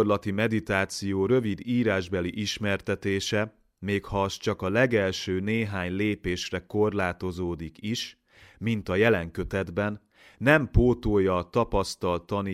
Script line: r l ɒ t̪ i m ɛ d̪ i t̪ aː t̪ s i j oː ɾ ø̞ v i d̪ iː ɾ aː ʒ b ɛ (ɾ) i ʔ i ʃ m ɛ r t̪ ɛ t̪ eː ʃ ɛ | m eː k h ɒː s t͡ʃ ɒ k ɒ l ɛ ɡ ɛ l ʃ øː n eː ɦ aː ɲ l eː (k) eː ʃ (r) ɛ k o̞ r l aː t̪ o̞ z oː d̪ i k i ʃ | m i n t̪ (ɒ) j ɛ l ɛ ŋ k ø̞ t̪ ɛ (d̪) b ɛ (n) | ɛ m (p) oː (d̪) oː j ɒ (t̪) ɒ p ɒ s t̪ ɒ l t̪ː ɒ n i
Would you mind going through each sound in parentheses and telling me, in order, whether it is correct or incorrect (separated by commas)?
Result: incorrect, incorrect, correct, correct, correct, incorrect, correct, incorrect, correct